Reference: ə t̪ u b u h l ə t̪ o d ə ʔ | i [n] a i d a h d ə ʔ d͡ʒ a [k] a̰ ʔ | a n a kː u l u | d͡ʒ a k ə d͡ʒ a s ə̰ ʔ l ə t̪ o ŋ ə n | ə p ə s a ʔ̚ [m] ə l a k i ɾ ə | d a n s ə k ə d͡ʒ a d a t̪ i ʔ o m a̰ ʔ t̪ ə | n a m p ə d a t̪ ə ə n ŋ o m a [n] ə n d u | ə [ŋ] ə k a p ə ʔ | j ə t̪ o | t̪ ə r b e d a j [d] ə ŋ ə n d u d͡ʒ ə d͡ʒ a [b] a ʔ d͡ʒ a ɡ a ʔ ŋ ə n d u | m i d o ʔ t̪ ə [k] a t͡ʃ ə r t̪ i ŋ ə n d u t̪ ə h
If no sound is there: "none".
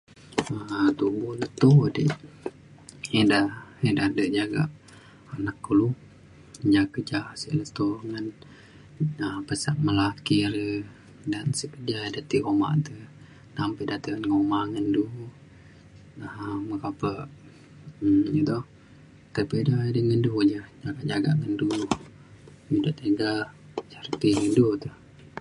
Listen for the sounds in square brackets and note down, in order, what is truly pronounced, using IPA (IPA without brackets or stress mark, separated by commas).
d, ɡ, m, ŋ, m, d, ɡ, ɡ